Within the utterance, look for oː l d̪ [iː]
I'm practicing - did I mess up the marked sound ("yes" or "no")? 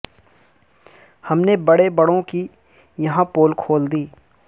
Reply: no